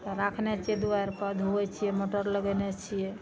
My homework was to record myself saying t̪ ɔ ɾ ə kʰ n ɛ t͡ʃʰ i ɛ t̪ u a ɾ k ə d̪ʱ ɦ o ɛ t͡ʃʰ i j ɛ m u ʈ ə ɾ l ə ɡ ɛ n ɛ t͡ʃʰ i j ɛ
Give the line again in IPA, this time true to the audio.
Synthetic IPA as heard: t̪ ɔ ɾ a kʰ n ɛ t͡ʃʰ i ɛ d̪ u a ɾ p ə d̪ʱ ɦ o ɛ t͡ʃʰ i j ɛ m o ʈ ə ɾ l ə ɡ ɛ n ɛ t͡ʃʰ i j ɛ